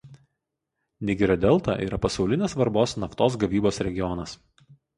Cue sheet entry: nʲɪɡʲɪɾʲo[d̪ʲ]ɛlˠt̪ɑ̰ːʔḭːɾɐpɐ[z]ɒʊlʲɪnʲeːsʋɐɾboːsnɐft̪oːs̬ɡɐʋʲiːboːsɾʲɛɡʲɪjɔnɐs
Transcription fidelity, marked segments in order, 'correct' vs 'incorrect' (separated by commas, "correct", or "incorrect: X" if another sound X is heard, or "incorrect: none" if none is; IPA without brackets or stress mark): correct, incorrect: s